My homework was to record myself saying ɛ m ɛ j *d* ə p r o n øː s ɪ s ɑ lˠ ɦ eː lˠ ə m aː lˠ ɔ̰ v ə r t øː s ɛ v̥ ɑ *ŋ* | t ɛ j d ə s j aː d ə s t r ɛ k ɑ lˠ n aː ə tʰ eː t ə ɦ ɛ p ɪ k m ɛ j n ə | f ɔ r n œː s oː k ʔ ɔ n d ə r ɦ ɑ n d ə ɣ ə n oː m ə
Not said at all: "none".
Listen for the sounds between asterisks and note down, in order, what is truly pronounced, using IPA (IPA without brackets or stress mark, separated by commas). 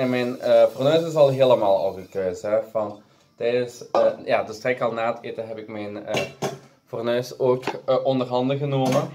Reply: n, n